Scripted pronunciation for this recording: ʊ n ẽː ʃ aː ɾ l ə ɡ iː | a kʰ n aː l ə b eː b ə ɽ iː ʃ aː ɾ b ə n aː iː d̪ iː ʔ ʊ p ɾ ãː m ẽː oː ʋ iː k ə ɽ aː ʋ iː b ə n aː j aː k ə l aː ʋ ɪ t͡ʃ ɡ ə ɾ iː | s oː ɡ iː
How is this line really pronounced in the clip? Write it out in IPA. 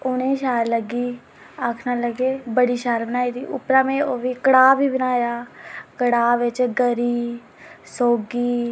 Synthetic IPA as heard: ʊ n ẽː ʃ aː ɾ l ə ɡ iː | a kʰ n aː l ə ɡ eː b ə ɽ iː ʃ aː ɾ b ə n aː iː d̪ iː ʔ ʊ p ɾ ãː m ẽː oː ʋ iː k ə ɽ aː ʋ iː b ə n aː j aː k ə ɽ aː ʋ ɪ t͡ʃ ɡ ə ɾ iː | s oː ɡ iː